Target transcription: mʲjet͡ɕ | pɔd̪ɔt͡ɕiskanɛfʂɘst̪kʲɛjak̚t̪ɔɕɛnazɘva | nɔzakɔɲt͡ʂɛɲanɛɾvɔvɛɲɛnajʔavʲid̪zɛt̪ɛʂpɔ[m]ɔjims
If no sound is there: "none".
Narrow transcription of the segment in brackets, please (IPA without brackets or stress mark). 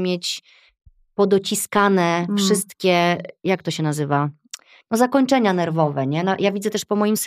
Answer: m